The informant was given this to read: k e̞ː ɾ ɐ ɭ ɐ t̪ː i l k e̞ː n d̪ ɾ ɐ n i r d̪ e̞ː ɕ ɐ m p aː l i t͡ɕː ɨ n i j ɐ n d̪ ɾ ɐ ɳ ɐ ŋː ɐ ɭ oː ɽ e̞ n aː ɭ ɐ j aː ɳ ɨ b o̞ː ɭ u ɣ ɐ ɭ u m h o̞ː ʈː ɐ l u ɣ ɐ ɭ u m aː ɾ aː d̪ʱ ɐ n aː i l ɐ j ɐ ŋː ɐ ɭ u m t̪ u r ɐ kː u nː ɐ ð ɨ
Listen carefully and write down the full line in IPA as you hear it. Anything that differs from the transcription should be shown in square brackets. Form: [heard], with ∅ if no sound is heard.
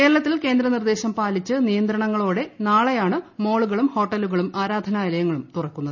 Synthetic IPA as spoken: k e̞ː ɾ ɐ ɭ ɐ t̪ː i l k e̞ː n d̪ ɾ ɐ n i r d̪ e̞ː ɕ ɐ m p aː l i t͡ɕː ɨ n i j ɐ n d̪ ɾ ɐ ɳ ɐ ŋː ɐ ɭ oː ɽ e̞ n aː ɭ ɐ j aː ɳ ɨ [m] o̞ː ɭ u ɣ ɐ ɭ u m h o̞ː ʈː ɐ l u ɣ ɐ ɭ u m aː ɾ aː d̪ʱ ɐ n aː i l ɐ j ɐ ŋː ɐ ɭ u m t̪ u r ɐ kː u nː ɐ ð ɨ